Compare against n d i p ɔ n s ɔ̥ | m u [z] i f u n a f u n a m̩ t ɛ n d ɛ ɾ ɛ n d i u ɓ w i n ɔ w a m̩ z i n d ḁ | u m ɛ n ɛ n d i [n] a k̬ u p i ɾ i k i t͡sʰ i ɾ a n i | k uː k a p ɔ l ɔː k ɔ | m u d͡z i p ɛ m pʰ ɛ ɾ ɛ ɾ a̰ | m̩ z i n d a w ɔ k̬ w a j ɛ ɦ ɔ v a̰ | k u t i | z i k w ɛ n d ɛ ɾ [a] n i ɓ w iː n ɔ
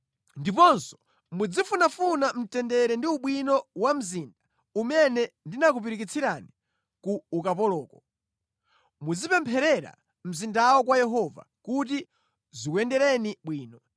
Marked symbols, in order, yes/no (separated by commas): no, yes, no